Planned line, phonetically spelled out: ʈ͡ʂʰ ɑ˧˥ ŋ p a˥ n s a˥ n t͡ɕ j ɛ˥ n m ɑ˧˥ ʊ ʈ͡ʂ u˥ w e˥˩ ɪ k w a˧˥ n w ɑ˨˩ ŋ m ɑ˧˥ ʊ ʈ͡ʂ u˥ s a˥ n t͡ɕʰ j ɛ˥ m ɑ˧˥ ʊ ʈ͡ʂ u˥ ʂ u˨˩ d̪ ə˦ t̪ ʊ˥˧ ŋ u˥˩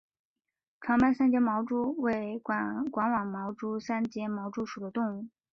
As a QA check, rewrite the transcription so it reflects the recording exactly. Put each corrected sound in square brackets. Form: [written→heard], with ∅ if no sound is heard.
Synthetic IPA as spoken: ʈ͡ʂʰ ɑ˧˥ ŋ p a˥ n s a˥ n t͡ɕ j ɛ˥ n m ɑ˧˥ ʊ ʈ͡ʂ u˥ w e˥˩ ɪ k w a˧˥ n w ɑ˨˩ ŋ m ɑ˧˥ ʊ ʈ͡ʂ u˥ s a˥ n [t͡ɕʰ→t͡ɕ] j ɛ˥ m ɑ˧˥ ʊ ʈ͡ʂ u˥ ʂ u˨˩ d̪ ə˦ t̪ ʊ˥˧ ŋ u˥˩

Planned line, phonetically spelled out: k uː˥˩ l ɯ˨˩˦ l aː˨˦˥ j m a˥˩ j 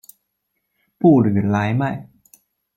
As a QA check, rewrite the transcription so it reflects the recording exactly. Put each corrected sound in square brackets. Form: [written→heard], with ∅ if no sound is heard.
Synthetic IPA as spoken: [k→p] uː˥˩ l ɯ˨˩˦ l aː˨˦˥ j m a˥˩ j

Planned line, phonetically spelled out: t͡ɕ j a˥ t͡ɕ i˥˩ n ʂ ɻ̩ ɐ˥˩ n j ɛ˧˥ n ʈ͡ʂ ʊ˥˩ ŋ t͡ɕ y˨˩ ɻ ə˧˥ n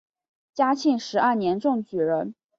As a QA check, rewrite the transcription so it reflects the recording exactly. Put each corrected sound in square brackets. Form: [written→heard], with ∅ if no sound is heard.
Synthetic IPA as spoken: t͡ɕ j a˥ [t͡ɕ→t͡ɕʰ] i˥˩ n ʂ ɻ̩ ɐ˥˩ n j ɛ˧˥ n ʈ͡ʂ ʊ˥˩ ŋ t͡ɕ y˨˩ ɻ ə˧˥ n

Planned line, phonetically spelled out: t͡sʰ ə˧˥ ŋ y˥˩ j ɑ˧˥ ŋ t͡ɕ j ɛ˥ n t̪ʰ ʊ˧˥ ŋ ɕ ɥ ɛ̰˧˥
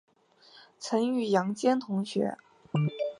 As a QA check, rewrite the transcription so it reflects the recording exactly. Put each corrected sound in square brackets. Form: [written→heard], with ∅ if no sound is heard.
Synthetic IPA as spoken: t͡sʰ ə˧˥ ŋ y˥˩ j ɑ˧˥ ŋ t͡ɕ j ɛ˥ n t̪ʰ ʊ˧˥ ŋ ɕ ɥ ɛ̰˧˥

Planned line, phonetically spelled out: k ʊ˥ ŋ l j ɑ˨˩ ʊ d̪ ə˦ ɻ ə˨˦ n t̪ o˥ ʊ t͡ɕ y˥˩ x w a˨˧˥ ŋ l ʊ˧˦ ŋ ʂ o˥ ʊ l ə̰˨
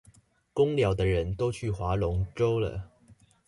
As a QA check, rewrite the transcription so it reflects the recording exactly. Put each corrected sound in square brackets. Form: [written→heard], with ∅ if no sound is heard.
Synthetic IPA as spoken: k ʊ˥ ŋ l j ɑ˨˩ ʊ d̪ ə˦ ɻ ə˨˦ n t̪ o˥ ʊ [t͡ɕ→t͡ɕʰ] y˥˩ x w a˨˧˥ [ŋ→∅] l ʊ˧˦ ŋ [ʂ→ʈ͡ʂ] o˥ ʊ l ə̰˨

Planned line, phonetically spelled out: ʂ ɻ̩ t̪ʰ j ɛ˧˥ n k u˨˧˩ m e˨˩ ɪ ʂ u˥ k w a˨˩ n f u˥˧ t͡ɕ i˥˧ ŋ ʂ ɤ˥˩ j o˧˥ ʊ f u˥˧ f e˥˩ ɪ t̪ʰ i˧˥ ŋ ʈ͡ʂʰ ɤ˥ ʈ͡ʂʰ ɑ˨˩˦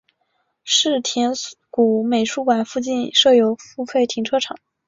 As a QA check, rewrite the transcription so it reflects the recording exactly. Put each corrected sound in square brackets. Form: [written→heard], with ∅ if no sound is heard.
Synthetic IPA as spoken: ʂ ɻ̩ t̪ʰ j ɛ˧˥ n k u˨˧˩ m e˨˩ ɪ ʂ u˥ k w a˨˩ n f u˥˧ t͡ɕ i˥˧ [ŋ→n] ʂ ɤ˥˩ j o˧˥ ʊ f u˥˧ f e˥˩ ɪ t̪ʰ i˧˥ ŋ ʈ͡ʂʰ ɤ˥ ʈ͡ʂʰ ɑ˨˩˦

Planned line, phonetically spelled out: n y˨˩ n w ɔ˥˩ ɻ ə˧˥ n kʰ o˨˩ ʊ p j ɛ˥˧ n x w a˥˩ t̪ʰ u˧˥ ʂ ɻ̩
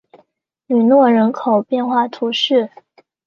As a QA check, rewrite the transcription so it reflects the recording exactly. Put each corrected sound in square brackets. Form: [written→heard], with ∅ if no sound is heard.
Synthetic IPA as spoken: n y˨˩ n w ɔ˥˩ ɻ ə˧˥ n kʰ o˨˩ ʊ p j ɛ˥˧ n x w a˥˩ t̪ʰ u˧˥ ʂ ɻ̩

